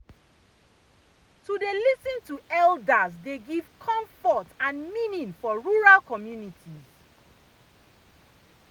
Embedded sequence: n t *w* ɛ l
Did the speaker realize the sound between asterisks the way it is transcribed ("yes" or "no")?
no